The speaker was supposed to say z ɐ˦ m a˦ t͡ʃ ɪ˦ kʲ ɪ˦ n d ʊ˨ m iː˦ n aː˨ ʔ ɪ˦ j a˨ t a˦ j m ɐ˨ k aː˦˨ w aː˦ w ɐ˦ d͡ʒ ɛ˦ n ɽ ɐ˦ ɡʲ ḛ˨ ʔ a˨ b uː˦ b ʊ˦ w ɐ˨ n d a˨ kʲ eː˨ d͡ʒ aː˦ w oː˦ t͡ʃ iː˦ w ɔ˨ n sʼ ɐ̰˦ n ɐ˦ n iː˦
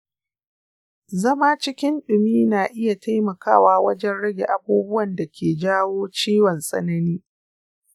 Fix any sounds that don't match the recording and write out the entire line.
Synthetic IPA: z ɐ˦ m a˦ t͡ʃ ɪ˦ kʲ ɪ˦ n ɗ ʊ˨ m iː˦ n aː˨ ʔ ɪ˦ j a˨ t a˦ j m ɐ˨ k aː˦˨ w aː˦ w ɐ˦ d͡ʒ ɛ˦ n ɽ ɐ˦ ɡʲ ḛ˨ ʔ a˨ b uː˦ b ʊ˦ w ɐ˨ n d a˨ kʲ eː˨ d͡ʒ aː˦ w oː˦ t͡ʃ iː˦ w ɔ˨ n sʼ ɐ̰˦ n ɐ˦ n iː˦

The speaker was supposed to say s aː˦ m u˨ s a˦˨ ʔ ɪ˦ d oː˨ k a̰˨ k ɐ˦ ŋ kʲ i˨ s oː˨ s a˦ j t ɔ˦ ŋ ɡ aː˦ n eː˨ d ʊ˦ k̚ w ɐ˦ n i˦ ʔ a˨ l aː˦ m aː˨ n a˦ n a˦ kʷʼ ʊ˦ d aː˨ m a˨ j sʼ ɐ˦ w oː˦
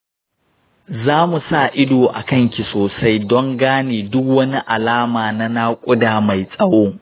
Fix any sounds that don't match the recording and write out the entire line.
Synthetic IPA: z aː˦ m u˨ s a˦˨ ʔ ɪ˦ d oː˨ ʔ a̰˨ k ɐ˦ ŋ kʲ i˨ s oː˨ s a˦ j d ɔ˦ ŋ ɡ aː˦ n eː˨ d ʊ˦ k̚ w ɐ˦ n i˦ ʔ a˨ l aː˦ m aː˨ n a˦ n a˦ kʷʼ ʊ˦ d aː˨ m a˨ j sʼ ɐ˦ w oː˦

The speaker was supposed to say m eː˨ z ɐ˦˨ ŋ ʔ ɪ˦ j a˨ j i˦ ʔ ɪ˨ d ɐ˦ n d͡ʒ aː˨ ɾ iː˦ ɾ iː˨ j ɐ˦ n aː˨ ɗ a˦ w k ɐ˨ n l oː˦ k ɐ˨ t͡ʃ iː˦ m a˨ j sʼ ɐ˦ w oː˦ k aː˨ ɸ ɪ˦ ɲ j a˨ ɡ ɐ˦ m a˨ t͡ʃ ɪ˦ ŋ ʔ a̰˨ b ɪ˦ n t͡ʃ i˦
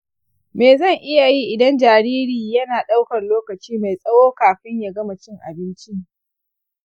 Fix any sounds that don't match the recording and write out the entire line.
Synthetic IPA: m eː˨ z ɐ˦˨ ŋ ʔ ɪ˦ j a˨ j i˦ ʔ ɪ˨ d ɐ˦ n d͡ʒ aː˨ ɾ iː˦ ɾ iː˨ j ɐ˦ n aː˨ ɗ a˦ w k ɐ˨ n l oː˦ k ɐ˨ t͡ʃ iː˦ m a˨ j sʼ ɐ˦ w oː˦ k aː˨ ɸ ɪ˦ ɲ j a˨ ɡ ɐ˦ m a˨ t͡ʃ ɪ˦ ŋ ʔ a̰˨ b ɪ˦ n t͡ʃ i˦

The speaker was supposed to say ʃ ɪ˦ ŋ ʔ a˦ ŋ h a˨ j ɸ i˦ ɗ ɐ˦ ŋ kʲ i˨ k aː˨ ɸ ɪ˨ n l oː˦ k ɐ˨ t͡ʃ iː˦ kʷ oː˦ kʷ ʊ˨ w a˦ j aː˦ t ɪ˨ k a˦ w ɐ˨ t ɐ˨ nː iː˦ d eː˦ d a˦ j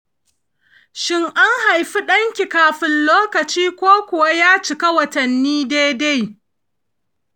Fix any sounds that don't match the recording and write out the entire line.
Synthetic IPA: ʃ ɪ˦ ŋ ʔ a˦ ŋ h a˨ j ɸ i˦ ɗ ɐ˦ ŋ kʲ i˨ k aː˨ ɸ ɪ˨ n l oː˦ k ɐ˨ t͡ʃ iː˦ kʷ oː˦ kʷ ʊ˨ w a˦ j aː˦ t͡ʃ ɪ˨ k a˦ w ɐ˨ t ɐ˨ nː iː˦ d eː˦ d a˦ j

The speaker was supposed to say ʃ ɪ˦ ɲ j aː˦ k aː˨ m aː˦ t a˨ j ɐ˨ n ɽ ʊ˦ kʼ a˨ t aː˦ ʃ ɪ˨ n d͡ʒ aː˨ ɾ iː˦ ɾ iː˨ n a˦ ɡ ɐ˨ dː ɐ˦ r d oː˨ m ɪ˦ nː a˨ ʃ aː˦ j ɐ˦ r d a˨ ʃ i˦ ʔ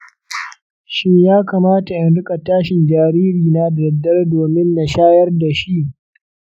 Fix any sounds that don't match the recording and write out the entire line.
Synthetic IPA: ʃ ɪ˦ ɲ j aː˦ k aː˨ m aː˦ t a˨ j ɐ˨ n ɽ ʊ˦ kʼ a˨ t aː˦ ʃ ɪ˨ n d͡ʒ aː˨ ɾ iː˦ ɾ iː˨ n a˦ d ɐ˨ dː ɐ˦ r d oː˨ m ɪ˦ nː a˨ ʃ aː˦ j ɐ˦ r d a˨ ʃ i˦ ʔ

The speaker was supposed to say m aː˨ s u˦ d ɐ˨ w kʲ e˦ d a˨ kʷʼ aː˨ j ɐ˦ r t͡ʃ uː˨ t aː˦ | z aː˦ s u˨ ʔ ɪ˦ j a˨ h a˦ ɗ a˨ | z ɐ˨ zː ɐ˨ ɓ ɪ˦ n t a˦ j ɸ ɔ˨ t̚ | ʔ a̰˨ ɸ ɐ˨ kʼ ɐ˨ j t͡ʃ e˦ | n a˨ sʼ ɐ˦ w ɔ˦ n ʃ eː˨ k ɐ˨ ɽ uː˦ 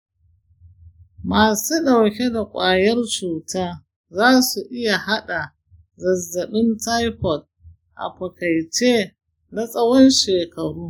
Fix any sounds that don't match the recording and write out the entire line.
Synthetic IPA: m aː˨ s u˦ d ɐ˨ w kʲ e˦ d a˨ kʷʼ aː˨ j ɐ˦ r t͡ʃ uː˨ t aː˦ | z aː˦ s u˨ ʔ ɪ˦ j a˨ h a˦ ɗ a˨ | z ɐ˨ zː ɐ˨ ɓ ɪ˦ n t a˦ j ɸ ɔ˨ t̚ | ʔ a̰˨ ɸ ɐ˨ k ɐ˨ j t͡ʃ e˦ | n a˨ sʼ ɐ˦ w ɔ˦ n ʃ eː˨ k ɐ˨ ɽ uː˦

